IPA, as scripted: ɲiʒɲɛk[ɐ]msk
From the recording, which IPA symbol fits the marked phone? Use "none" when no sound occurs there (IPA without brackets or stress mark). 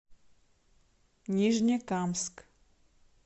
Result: a